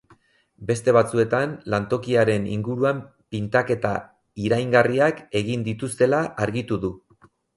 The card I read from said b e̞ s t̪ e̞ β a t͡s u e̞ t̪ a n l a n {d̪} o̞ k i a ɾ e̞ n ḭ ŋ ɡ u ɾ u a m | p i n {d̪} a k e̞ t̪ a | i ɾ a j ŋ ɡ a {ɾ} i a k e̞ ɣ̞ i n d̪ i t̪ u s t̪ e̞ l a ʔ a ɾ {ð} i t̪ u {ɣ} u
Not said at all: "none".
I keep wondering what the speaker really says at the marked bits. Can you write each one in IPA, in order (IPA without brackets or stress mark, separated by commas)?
t̪, t̪, r, ɣ, ð